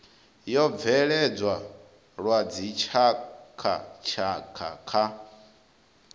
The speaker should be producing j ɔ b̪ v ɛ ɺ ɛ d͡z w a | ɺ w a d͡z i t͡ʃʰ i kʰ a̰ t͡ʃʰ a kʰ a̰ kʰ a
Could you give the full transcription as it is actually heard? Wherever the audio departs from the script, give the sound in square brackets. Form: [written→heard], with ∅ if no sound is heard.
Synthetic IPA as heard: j ɔ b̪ v ɛ ɺ ɛ d͡z w a | ɺ w a d͡z i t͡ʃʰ [i→a] kʰ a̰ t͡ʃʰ a kʰ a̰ kʰ a